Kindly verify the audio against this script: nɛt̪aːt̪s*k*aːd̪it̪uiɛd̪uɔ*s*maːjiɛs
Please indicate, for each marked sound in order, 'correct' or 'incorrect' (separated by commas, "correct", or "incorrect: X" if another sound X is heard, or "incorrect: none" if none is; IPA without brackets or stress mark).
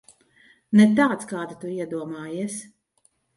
correct, incorrect: none